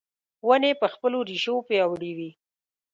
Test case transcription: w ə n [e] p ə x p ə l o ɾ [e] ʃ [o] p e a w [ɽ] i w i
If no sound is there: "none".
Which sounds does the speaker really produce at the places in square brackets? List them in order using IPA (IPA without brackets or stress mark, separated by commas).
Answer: e, i, o, ɽ